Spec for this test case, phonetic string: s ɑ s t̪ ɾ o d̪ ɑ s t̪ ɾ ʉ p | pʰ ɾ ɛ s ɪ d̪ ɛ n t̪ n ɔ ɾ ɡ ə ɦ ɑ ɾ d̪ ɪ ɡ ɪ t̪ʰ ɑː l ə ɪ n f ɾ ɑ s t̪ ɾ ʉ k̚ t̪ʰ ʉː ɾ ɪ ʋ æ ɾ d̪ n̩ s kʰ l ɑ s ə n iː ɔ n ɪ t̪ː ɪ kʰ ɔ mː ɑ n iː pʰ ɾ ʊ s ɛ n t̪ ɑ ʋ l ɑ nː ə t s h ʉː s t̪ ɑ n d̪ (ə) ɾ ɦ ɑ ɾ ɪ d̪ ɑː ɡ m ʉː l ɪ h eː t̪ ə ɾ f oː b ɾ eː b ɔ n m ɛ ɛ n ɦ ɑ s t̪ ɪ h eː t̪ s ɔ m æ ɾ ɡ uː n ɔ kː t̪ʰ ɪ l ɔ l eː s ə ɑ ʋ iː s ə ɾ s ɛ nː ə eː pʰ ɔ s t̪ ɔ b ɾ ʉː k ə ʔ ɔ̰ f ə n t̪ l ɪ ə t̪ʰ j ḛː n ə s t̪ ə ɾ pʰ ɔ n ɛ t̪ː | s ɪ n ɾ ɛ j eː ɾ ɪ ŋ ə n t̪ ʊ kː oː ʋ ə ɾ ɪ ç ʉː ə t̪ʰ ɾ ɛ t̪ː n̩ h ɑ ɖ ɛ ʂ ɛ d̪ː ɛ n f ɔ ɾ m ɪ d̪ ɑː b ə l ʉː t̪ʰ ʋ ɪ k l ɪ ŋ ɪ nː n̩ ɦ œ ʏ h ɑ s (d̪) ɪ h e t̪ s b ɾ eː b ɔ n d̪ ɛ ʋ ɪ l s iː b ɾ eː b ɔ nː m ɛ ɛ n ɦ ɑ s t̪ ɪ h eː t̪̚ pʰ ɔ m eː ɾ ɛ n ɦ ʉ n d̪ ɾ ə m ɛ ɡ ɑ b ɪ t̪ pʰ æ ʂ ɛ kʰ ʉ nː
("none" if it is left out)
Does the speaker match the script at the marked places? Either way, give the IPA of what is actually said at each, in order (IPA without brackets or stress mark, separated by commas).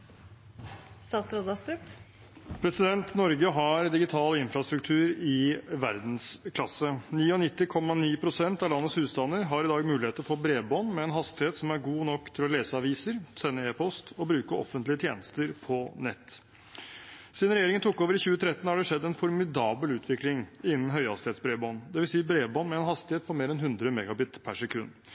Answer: ə, t̪